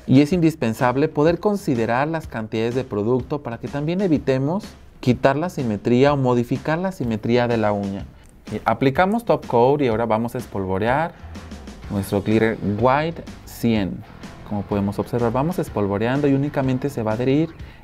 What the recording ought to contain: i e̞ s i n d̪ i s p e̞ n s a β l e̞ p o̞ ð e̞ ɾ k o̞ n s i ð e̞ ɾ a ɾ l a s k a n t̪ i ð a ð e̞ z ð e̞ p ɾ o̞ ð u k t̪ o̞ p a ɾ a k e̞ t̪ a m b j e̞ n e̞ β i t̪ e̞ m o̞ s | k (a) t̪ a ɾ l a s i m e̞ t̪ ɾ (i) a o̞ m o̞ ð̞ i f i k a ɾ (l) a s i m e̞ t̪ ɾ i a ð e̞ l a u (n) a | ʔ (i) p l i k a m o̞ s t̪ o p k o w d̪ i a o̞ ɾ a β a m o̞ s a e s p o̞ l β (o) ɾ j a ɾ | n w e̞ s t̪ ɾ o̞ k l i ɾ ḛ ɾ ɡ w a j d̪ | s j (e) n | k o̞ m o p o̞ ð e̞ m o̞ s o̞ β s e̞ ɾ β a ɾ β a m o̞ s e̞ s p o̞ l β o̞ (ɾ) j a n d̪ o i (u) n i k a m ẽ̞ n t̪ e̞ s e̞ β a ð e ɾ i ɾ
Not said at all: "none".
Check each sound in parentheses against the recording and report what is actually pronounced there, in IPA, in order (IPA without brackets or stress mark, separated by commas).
i, i, l, ɲ, a, o, e, ɾ, u